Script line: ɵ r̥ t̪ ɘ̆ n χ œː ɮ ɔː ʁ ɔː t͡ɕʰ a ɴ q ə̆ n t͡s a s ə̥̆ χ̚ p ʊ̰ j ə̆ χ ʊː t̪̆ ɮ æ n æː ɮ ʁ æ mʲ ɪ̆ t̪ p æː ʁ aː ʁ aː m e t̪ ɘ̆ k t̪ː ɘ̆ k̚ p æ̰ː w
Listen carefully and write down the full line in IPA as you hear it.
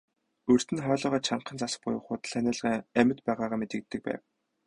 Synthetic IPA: ɵ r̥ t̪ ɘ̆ n χ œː ɮ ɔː ʁ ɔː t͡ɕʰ a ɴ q ə̆ n t͡s a s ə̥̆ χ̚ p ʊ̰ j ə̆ χ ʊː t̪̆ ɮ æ n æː ɮ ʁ æ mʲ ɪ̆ t̪ p æː ʁ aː ʁ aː m e t̪ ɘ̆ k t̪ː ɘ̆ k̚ p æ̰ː w

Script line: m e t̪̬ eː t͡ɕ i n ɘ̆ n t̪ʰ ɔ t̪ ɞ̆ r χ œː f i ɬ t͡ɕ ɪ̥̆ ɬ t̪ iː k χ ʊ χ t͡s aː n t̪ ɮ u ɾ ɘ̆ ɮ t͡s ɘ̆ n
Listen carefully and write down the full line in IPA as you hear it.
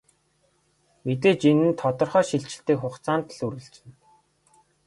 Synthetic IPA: m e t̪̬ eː t͡ɕ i n ɘ̆ n t̪ʰ ɔ t̪ ɞ̆ r χ œː ʃ i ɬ t͡ɕ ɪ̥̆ ɬ t̪ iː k χ ʊ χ t͡s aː n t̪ ɮ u ɾ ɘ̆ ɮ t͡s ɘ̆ n

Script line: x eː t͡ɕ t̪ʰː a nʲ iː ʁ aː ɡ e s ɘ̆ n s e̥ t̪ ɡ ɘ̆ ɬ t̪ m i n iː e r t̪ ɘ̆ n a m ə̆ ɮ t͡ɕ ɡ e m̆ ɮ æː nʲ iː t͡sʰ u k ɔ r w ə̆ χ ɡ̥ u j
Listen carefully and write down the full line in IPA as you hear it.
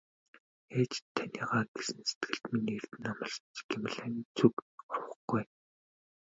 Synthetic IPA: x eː t͡ɕ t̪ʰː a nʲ iː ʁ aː ɡ e s ɘ̆ n s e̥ t̪ ɡ ɘ̆ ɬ t̪ m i n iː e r t̪ ɘ̆ n a m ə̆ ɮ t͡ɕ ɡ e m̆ ɮ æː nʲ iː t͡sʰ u k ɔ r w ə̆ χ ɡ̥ u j

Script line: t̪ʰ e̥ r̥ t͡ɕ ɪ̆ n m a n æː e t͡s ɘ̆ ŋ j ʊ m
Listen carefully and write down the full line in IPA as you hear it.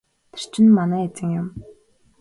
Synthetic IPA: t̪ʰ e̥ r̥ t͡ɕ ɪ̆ n m a n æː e t͡s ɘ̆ ŋ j ʊ m

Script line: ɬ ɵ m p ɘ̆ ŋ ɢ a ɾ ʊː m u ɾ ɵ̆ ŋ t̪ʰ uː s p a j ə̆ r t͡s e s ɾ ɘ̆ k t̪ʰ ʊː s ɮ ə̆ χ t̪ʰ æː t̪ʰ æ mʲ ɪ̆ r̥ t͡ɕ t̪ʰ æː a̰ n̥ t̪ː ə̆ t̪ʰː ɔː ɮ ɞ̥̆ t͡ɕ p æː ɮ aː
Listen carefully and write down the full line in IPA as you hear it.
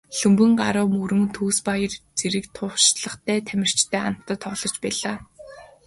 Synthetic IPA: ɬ ɵ m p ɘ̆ ŋ ɢ a ɾ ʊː m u ɾ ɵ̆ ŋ t̪ʰ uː s p a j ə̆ r t͡s e ɾ ɘ̆ k t̪ʰ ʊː ʃ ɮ ə̆ χ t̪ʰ æː t̪ʰ æ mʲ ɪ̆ r̥ t͡ɕ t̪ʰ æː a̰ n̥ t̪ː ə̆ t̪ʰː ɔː ɮ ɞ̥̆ t͡ɕ p æː ɮ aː

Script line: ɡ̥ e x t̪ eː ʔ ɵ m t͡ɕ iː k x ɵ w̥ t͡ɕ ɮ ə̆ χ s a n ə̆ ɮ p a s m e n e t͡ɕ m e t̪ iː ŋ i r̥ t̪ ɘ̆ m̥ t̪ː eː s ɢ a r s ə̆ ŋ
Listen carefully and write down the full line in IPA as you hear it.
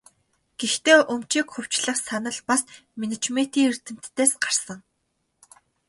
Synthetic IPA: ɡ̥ e x t̪ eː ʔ ɵ m t͡ɕ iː k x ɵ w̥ t͡ɕ ɮ ə̆ χ s a n ə̆ ɮ p a s m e n e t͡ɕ m e t̪ iː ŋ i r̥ t̪ ɘ̆ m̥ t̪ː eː s ɢ a r s ə̆ ŋ

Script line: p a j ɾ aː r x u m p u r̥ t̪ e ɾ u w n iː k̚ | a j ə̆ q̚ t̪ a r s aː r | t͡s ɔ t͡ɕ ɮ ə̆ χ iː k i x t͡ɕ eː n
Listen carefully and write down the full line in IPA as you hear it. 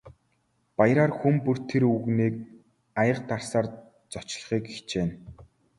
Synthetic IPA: p a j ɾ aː r x u m p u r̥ t̪ʰ e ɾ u ɣ n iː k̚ | a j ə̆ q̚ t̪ a r s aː r | t͡s ɔ t͡ɕ ɮ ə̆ χ iː k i x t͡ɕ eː n

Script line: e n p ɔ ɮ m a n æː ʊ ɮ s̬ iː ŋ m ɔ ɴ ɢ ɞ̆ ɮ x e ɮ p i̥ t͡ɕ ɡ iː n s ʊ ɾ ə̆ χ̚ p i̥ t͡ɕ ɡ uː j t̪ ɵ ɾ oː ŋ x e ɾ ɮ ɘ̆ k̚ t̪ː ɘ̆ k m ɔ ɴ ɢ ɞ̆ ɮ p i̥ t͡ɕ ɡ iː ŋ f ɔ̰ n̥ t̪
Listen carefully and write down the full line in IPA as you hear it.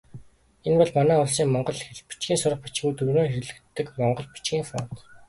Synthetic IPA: e n p ɔ ɮ m a n æː ʊ ɮ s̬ iː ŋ m ɔ ɴ ɢ ɞ̆ ɮ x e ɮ p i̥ t͡ɕ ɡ iː n s ʊ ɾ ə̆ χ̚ p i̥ t͡ɕ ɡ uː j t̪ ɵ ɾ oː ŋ x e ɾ ɮ ɘ̆ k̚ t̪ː ɘ̆ k m ɔ ɴ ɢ ɞ̆ ɮ p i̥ t͡ɕ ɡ iː ŋ f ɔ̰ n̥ t̪

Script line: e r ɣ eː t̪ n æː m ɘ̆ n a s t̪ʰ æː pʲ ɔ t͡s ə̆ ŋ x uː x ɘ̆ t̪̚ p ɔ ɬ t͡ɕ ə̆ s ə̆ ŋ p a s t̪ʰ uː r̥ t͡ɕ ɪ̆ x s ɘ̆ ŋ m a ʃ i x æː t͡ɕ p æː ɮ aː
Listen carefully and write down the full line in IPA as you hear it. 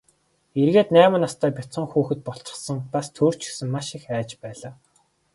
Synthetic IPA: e r ɣ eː t̪ n æː m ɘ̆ n a s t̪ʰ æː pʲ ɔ t͡s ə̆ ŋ x uː x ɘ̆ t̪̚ p ɔ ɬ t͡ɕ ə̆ s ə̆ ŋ p a s t̪ʰ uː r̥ t͡ɕ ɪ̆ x s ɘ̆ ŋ m a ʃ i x æː t͡ɕ p æː ɮ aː

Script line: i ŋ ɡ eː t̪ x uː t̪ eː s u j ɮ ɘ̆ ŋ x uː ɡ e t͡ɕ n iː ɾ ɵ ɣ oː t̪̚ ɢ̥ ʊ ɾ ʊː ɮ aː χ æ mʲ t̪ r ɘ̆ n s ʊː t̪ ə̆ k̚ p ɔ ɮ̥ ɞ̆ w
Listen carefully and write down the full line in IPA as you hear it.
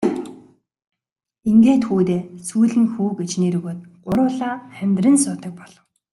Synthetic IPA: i ŋ ɡ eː t̪ x uː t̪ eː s u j ɮ ɘ̆ ŋ x uː ɡ e t͡ɕ n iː ɾ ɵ ɣ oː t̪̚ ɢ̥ ʊ ɾ ʊː ɮ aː χ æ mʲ t̪ r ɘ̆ n s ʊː t̪ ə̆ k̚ p ɔ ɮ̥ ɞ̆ w

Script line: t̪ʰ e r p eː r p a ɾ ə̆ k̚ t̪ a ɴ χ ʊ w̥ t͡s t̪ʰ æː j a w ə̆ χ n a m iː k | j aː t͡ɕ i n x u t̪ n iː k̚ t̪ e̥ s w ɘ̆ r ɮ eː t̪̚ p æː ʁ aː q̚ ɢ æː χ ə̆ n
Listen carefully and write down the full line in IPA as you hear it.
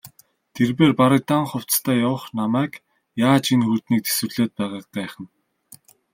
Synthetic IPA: t̪ʰ e r p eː r p a ɾ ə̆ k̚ t̪ a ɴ χ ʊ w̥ t͡s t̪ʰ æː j a w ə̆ χ n a m æː k | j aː t͡ɕ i n x u t̪ n iː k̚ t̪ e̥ s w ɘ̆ r ɮ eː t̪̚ p æː ʁ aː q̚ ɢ æː χ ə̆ n

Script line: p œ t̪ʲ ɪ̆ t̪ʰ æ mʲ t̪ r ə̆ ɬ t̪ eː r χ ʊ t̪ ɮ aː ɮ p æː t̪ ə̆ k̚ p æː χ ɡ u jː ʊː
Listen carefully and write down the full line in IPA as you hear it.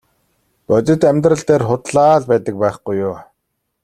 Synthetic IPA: p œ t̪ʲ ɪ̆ t̪ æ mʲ t̪ r ə̆ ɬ t̪ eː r χ ʊ t̪ ɮ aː ɮ p æː t̪ ə̆ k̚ p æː χ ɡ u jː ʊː

